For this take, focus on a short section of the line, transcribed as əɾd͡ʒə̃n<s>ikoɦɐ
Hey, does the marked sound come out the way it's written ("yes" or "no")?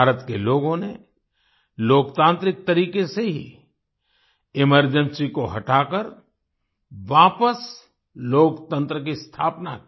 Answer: yes